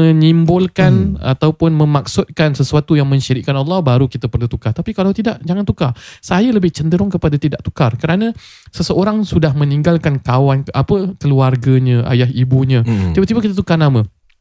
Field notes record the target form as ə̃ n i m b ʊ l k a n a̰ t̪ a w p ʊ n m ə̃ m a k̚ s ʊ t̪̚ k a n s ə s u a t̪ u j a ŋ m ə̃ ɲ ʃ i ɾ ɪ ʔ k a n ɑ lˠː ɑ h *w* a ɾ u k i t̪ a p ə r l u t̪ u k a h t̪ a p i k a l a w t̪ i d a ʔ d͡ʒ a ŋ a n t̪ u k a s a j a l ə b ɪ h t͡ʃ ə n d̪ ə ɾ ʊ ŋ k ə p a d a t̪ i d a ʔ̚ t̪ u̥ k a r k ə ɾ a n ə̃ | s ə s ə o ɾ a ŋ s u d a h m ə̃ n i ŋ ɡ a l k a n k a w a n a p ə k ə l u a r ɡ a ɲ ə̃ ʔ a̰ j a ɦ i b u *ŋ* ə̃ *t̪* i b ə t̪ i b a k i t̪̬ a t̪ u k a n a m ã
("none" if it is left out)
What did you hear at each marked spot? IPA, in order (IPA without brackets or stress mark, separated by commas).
b, ɲ, t̪